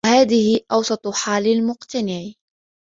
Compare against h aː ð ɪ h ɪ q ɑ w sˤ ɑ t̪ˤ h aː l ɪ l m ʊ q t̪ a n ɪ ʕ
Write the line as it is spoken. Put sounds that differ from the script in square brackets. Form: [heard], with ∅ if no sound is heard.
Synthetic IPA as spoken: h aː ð ɪ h ɪ [ʔ] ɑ w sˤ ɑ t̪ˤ [ħ] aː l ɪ l m ʊ q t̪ a n ɪ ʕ